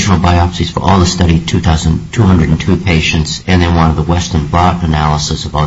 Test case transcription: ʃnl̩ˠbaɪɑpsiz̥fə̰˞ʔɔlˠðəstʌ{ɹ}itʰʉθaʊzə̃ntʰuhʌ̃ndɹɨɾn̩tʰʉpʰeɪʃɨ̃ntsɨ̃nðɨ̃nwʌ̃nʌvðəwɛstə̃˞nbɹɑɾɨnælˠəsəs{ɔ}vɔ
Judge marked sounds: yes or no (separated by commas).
no, no